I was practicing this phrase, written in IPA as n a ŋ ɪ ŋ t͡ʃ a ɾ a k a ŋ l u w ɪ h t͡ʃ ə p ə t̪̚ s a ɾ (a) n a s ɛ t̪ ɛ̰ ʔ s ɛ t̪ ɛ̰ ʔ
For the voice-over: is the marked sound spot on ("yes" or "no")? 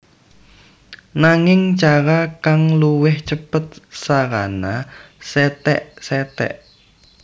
yes